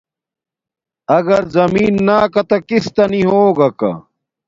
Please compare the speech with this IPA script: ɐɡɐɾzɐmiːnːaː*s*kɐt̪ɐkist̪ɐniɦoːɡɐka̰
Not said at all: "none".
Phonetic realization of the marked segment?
none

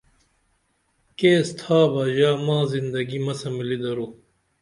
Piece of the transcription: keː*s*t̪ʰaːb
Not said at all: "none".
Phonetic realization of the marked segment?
s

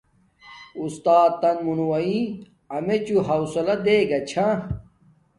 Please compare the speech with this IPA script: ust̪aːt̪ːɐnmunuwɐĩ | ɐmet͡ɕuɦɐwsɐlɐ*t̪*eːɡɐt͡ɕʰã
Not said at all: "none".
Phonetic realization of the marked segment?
d̪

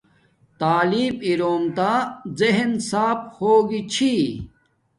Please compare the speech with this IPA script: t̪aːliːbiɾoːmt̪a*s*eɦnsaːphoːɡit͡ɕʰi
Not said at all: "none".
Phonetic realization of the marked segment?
z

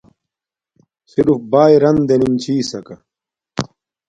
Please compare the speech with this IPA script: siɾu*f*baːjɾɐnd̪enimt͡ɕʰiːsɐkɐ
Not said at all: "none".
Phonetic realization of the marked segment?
f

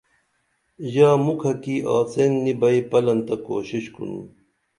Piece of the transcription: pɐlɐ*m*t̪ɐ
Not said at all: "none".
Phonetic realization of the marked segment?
n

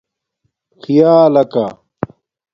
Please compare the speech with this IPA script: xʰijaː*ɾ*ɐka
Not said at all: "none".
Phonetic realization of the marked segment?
l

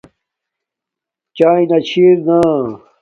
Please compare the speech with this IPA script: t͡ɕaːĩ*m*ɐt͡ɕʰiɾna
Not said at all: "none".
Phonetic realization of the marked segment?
n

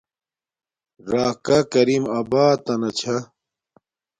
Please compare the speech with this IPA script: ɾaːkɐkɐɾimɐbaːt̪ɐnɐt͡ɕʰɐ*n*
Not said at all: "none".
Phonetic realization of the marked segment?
none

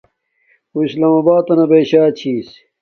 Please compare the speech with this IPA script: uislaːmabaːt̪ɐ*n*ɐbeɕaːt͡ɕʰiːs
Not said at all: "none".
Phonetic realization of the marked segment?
n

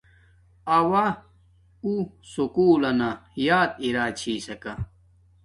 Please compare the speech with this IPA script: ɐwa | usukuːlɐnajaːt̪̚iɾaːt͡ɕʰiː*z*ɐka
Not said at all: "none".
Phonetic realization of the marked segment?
s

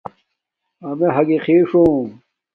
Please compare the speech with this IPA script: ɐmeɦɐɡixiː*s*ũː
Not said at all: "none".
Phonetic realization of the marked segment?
ʂ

